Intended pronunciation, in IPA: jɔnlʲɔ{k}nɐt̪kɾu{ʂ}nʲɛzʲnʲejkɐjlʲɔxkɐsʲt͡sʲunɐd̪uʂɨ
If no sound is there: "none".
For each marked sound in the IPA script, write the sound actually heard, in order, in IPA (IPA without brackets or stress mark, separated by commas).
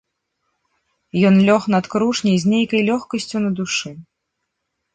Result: x, ʂ